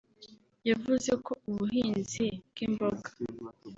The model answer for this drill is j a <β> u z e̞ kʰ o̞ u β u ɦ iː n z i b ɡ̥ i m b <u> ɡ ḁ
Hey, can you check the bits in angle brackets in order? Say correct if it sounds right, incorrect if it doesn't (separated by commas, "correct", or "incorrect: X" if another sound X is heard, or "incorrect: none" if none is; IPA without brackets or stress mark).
incorrect: v, incorrect: o